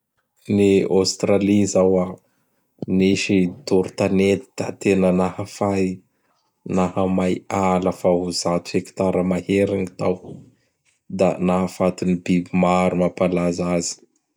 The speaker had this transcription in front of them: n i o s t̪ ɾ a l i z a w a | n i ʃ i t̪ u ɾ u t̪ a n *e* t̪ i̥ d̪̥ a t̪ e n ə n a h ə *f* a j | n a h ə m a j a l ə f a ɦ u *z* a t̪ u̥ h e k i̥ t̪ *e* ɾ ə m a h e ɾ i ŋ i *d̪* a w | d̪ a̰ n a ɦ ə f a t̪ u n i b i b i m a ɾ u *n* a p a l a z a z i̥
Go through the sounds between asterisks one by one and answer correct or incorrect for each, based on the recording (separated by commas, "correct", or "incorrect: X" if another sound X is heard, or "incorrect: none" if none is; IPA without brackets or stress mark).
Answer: correct, correct, correct, incorrect: a, incorrect: t̪, incorrect: m